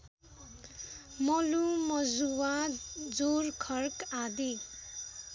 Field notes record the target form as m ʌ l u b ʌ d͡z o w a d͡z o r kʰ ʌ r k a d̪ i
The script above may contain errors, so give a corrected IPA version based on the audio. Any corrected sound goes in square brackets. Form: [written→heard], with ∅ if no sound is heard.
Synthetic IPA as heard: m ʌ l u [b→m] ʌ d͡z [o→u] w a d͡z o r kʰ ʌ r k a d̪ i